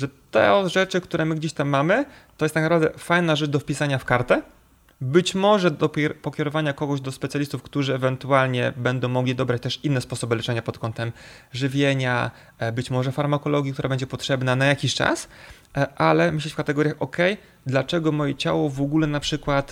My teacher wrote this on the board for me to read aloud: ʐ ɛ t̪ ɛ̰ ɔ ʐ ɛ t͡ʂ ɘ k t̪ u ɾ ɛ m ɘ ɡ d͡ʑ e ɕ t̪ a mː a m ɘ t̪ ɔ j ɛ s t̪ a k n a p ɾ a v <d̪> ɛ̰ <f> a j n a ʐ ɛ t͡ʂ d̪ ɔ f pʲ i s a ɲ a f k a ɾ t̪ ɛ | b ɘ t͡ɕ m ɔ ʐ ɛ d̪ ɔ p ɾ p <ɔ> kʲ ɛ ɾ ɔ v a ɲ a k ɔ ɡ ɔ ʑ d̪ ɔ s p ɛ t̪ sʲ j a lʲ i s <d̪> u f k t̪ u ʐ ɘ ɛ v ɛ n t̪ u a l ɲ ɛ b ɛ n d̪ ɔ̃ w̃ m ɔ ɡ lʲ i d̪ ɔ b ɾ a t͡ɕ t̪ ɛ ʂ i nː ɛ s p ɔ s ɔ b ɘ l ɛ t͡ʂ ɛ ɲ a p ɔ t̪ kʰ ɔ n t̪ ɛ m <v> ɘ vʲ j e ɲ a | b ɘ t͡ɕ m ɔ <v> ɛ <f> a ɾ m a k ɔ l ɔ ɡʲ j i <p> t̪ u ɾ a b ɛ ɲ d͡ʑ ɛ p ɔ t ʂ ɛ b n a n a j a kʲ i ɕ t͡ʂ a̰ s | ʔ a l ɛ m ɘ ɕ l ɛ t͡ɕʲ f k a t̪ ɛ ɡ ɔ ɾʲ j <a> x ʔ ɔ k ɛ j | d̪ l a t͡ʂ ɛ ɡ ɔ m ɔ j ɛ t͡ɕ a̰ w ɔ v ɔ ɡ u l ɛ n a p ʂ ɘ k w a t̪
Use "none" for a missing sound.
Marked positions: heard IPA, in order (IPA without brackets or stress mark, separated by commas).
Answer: d̪, f, ɔ, t̪, ʐ, ʐ, f, k, a